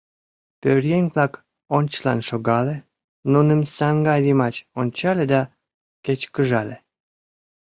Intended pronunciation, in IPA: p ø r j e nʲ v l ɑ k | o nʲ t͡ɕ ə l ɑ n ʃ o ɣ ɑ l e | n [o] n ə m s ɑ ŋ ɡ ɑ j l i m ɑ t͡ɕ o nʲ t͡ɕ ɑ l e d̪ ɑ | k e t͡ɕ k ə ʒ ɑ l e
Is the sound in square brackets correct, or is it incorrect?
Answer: incorrect: u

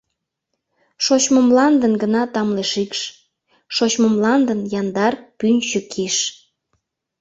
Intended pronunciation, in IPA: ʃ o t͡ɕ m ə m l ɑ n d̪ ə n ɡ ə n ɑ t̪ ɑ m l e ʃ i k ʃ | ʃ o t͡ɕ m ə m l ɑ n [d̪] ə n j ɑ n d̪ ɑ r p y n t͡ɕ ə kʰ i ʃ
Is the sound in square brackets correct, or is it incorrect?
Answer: correct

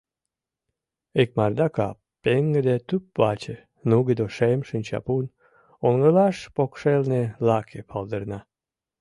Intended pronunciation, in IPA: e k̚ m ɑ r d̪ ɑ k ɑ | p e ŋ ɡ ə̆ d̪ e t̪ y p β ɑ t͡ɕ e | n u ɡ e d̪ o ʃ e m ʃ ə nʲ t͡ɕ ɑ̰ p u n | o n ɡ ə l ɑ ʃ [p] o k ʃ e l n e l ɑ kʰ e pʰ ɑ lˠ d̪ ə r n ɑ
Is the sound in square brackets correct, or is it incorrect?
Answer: correct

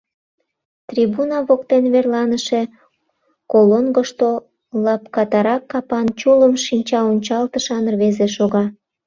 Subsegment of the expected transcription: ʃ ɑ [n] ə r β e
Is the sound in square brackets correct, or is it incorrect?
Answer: correct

